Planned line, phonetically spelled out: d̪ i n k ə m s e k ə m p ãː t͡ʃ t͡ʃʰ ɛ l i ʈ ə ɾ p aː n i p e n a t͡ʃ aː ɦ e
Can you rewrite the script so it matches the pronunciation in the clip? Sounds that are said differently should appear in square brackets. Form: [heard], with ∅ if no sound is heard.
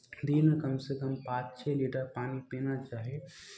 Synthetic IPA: d̪ i n k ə m s e k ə m p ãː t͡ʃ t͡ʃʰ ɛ l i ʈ ə ɾ p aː n i p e n a t͡ʃ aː ɦ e

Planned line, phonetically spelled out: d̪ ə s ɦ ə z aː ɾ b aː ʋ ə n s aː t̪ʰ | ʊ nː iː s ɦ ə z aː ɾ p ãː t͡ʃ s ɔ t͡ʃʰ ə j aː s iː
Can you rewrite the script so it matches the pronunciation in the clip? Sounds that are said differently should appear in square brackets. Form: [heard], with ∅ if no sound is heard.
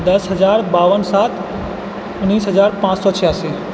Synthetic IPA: d̪ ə s ɦ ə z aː ɾ b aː ʋ ə n s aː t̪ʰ | ʊ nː iː s ɦ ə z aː ɾ p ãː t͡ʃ s ɔ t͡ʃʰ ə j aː s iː

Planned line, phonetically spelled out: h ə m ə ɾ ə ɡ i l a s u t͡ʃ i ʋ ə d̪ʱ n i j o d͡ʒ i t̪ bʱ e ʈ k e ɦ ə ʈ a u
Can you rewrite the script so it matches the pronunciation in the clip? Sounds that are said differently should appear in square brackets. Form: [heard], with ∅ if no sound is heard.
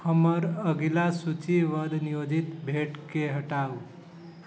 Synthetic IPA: h ə m ə ɾ ə ɡ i l a s u t͡ʃ i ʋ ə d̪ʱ n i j o d͡ʒ i t̪ bʱ e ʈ k e ɦ ə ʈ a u

